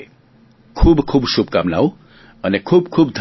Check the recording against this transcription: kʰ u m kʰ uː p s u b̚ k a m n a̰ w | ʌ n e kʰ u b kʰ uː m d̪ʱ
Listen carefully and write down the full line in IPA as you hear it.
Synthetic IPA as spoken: kʰ u b kʰ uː b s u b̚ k a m n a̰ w | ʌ n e kʰ u b kʰ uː b d̪ʱ

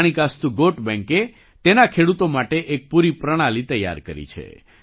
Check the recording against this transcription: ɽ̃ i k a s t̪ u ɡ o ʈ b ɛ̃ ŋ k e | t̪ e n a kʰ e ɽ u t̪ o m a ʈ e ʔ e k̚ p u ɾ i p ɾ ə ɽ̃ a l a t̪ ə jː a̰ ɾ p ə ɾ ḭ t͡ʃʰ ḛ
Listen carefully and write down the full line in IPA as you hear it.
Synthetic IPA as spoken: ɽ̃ i k a s t̪ u ɡ o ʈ b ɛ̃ ŋ k e | t̪ e n a kʰ e ɽ u t̪ o m a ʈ e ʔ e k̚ p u ɾ i p ɾ ə ɽ̃ a l i t̪ ə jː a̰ ɾ k ə ɾ ḭ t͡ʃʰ ḛ

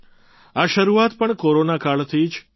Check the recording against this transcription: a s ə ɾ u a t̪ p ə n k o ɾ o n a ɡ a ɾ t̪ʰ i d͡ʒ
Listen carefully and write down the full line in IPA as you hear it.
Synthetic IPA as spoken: a ʃ ə ɾ u a t̪ p ə ɳ k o ɾ o n a k a ɭ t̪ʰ i d͡ʒ

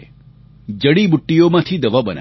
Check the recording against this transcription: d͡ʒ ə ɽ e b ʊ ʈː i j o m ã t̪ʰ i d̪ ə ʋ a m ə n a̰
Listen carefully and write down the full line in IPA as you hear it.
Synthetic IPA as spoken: d͡ʒ ə ɽ i b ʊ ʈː i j o m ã t̪ʰ i d̪ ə ʋ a b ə n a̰

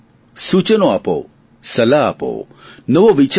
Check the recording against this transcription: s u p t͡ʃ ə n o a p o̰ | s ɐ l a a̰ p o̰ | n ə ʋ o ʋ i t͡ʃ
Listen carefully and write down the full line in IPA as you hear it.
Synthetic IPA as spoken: s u t͡ʃ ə n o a p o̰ | s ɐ l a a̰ p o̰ | n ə ʋ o ʋ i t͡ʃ

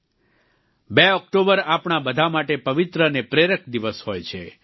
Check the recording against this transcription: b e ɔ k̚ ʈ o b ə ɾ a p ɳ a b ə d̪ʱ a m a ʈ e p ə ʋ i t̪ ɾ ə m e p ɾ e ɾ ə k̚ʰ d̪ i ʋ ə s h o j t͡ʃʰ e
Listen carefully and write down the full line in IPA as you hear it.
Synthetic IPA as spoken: b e ɔ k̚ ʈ o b ə ɾ a p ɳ a b ə d̪ʱ a m a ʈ e p ə ʋ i t̪ ɾ ə n e p ɾ e ɾ ə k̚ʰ d̪ i ʋ ə s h o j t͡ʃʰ e

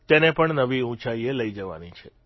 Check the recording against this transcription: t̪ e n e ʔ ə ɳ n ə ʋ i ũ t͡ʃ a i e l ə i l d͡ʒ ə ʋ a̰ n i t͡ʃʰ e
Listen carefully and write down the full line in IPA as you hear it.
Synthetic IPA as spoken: t̪ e n e p ə ɳ n ə ʋ i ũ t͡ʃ a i e l ə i d͡ʒ ə ʋ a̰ n i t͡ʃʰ e

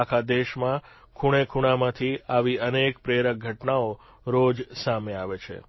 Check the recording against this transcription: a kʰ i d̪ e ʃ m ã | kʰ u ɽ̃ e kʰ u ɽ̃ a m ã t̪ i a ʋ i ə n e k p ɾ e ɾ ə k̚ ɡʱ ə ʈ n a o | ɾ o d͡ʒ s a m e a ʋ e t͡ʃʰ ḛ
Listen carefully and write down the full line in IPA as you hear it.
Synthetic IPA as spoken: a kʰ a d̪ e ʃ m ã | kʰ u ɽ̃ e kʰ u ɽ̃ a m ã t̪ʰ i a ʋ i ə n e k p ɾ e ɾ ə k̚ ɡʱ ə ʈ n a o | ɾ o d͡ʒ s a m e a ʋ e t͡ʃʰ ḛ

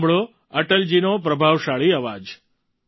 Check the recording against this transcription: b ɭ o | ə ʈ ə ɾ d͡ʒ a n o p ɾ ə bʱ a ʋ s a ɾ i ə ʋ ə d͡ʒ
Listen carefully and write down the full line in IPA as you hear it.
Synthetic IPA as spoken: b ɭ o | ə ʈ ə l d͡ʒ i n o p ɾ ə bʱ a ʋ ʃ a ɭ i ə ʋ a d͡ʒ

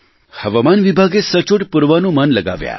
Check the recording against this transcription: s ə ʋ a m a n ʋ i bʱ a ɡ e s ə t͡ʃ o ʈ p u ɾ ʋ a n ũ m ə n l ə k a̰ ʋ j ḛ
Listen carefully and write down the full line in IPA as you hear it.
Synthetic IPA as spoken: h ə ʋ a m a n ʋ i bʱ a ɡ e s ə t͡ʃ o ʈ p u ɾ ʋ a n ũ m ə n l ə ɡ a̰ ʋ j a̰

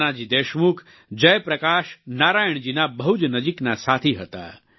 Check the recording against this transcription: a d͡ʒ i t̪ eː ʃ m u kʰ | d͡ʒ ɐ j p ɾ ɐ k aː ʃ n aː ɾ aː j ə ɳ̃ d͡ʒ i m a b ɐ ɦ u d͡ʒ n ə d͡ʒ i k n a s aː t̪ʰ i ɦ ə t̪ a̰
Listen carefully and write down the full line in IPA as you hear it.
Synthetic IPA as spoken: a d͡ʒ i d̪ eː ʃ m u kʰ | d͡ʒ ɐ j p ɾ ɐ k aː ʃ n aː ɾ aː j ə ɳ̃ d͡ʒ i n a b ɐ ɦ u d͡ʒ n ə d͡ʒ i k n a s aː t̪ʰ i ɦ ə t̪ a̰

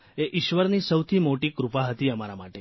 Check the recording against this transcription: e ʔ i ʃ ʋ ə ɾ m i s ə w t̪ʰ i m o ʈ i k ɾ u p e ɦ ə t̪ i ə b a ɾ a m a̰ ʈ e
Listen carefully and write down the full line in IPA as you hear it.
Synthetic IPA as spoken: e ʔ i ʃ ʋ ə ɾ n i s ə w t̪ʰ i m o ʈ i k ɾ u p a ɦ ə t̪ i ə m a ɾ a m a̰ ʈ e

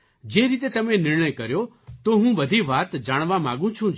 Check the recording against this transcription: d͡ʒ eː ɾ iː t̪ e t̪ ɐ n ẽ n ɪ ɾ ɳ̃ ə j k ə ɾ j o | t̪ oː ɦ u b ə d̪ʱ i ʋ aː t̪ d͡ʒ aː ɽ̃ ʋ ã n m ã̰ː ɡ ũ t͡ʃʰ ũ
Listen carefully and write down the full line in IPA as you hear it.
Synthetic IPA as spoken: d͡ʒ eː ɾ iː t̪ e t̪ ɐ m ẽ n ɪ ɾ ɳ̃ ə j k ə ɾ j o | t̪ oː ɦ ũ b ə d̪ʱ i ʋ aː t̪ d͡ʒ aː ɽ̃ ʋ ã m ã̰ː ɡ ũ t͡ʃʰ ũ

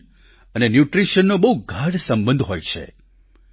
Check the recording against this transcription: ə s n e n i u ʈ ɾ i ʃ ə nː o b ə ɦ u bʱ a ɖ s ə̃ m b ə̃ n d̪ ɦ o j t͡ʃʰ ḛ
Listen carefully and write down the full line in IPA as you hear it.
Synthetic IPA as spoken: ə n e n j u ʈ ɾ i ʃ ə nː o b ə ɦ u ɡʱ a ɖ s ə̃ m b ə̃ n d̪ ɦ o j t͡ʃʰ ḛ

